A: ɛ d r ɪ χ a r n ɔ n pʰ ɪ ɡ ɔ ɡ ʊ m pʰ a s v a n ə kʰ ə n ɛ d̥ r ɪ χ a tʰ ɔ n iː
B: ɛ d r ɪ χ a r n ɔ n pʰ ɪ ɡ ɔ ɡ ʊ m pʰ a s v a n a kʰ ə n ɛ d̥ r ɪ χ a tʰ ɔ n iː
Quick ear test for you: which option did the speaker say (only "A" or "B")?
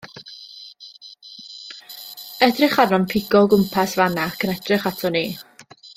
B